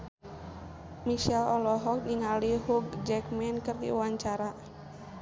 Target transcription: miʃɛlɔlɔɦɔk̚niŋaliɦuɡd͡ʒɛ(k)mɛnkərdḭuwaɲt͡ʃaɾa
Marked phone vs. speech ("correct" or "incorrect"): correct